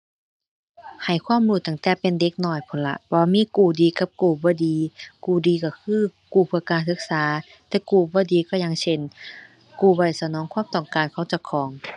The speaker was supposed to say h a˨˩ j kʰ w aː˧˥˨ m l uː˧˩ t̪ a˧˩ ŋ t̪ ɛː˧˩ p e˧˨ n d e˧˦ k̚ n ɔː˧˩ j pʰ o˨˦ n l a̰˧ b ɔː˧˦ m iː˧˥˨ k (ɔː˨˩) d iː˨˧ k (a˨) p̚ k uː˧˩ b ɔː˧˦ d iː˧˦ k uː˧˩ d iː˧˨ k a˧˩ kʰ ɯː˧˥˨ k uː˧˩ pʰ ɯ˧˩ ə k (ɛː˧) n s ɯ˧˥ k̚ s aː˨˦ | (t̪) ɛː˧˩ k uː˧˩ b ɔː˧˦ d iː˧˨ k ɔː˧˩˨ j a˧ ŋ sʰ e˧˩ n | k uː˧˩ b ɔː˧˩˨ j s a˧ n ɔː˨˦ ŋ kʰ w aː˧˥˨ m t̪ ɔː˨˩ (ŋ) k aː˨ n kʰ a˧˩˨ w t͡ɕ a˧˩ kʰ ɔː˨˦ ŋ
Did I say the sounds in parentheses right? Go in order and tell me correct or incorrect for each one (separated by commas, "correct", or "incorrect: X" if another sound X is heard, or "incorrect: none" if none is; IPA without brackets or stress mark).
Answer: incorrect: uː˨˩, incorrect: a˧˦, incorrect: aː˧, correct, correct